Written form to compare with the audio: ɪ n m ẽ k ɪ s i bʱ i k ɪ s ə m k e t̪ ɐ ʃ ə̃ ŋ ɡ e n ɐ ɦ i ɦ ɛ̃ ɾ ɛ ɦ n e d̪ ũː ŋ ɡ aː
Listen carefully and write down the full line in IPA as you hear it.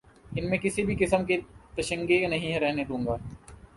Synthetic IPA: ɪ n m ẽ k ɪ s i bʱ i k ɪ s ə m k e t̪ ɐ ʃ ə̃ ŋ ɡ e n ɐ ɦ ĩ ɦ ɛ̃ ɾ ɛ ɦ n e d̪ ũː ŋ ɡ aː

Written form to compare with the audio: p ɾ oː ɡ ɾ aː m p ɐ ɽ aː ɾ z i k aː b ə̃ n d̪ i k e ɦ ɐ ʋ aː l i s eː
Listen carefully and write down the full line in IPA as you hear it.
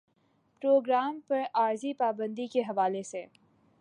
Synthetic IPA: p ɾ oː ɡ ɾ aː m p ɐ ɾ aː ɾ z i p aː b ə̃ n d̪ i k e ɦ ɐ ʋ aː l e s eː

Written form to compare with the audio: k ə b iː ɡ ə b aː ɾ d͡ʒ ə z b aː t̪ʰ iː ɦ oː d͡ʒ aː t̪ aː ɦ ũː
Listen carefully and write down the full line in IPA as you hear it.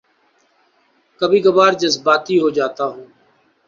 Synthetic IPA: k ə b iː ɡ ə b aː ɾ d͡ʒ ə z b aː t̪ iː ɦ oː d͡ʒ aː t̪ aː ɦ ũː

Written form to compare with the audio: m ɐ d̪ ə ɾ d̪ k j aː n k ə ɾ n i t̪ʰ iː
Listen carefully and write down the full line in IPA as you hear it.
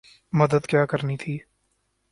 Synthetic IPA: m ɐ d̪ ə d̪ k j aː k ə ɾ n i t̪ʰ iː

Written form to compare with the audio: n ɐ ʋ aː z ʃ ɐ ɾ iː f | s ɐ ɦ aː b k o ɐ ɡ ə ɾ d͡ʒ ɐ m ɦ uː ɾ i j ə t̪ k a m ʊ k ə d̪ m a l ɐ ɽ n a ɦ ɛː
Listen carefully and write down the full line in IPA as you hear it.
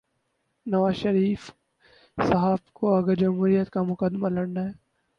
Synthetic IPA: n ɐ ʋ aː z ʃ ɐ ɾ iː f | s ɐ ɦ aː b k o ɐ ɡ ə ɾ d͡ʒ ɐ m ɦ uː ɾ i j ə t̪ k a m ʊ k ə d̪ m a l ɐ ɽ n a ɦ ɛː

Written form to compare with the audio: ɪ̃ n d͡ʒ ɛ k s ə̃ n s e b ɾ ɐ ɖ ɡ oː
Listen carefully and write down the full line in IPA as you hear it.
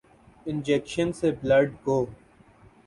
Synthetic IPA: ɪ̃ n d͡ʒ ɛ k ʃ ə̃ n s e b l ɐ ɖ ɡ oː

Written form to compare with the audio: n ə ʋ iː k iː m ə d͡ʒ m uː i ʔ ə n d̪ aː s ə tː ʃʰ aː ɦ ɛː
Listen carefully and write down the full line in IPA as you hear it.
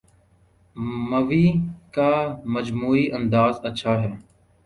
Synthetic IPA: m ə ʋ iː k aː m ə d͡ʒ m uː iː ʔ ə n d̪ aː z ə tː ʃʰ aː ɦ ɛː

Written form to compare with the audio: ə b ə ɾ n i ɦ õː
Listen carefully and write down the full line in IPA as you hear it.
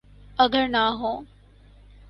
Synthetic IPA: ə ɡ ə ɾ n a ɦ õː

